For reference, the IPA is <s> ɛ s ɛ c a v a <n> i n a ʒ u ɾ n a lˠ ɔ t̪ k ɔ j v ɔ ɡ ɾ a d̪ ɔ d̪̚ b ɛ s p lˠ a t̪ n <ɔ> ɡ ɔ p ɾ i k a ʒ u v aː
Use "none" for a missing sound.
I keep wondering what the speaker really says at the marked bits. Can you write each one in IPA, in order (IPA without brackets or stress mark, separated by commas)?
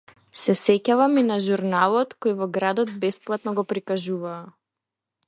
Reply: s, m, ɔ